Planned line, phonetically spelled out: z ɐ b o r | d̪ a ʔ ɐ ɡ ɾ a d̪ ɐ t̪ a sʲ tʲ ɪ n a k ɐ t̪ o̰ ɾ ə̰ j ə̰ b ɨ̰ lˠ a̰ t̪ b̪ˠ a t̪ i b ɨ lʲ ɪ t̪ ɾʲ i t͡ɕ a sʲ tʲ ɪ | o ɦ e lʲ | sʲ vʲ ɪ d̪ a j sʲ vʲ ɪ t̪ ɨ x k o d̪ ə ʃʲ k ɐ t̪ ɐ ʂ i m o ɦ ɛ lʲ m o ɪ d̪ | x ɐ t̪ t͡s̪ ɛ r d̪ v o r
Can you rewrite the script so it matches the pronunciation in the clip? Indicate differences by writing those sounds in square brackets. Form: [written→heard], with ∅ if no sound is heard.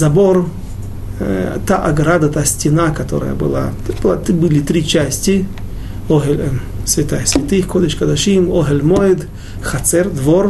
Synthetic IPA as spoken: z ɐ b o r | [d̪→t̪] a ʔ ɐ ɡ ɾ a d̪ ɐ t̪ a sʲ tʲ ɪ n a k ɐ t̪ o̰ ɾ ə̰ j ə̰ b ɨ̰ lˠ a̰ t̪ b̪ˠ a t̪ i b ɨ lʲ ɪ t̪ ɾʲ i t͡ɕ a sʲ tʲ ɪ | o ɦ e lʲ | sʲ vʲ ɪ [d̪→t̪] a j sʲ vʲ ɪ t̪ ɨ x k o d̪ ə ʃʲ k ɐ [t̪→d̪] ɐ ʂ i m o ɦ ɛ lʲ m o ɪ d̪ | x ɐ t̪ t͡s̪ ɛ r d̪ v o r